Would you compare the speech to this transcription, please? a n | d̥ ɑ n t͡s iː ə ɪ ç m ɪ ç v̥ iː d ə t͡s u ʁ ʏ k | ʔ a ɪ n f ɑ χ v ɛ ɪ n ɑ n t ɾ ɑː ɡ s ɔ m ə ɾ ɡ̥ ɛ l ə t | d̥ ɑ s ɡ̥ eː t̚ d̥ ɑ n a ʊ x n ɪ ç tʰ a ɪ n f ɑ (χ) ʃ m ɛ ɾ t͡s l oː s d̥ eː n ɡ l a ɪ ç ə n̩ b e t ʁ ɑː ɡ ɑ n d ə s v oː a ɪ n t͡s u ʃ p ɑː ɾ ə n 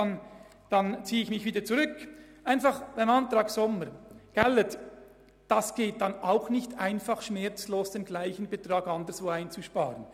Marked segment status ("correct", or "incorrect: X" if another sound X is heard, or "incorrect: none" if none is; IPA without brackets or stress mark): correct